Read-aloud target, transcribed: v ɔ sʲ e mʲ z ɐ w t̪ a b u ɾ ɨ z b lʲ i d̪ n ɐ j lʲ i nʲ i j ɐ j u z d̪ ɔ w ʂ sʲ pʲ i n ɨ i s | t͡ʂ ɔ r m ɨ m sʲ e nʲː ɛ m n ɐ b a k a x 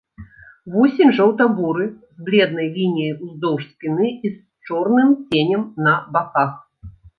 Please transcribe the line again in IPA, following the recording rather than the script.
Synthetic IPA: v ɔ sʲ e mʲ ʐ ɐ w t̪ a b u ɾ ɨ z b lʲ ɛ d̪ n ɐ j lʲ i nʲ i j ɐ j u z d̪ ɔ w ʂ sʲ pʲ i n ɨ i s | t͡ʂ ɔ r n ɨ m t͡sʲ e nʲ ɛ m n ɐ b a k a x